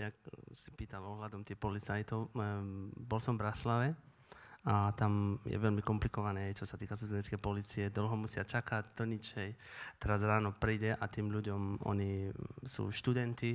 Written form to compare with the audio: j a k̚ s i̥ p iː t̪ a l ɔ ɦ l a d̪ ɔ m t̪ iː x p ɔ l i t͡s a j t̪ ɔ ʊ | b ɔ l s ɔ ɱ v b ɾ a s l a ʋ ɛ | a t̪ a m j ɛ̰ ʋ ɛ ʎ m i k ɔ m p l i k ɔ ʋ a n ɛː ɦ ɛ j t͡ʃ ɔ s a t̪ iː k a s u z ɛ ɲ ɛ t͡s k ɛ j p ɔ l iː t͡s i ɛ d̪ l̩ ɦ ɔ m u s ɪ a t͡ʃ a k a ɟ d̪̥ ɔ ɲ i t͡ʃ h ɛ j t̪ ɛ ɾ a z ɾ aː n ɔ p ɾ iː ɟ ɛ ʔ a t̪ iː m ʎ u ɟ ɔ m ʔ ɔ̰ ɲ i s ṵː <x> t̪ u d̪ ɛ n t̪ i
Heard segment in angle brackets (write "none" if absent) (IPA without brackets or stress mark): ʃ